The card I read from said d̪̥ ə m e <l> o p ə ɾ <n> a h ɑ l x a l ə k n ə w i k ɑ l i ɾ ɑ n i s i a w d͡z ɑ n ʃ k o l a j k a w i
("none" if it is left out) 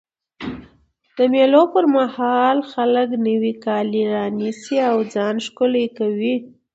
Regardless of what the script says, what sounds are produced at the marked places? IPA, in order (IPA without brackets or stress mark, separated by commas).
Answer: l, m